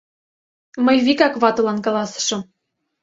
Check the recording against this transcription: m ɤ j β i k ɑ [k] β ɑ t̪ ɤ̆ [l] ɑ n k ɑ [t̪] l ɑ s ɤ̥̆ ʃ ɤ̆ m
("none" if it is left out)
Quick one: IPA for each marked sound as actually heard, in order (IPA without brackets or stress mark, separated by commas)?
k, l, none